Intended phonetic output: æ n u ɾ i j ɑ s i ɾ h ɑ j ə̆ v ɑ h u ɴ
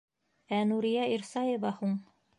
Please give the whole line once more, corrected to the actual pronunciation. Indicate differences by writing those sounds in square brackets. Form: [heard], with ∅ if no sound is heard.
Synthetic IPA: æ n u ɾ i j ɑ [∅] i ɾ [s] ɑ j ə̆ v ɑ h u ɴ